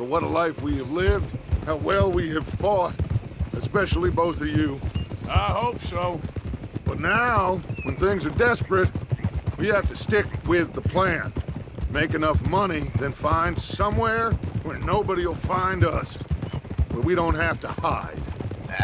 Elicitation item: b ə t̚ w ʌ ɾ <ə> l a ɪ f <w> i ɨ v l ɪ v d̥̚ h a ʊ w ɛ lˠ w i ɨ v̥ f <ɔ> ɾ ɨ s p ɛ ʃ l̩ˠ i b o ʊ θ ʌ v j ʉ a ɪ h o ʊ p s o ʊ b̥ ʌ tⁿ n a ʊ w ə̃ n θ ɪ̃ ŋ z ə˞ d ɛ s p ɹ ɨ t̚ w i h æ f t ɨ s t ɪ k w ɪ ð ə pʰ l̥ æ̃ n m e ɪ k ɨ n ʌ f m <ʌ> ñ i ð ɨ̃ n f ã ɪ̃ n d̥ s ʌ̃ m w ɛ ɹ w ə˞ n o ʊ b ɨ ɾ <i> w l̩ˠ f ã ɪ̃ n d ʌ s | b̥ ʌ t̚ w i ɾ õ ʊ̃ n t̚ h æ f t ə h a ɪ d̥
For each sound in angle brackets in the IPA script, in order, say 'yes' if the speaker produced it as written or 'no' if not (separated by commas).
yes, yes, yes, yes, yes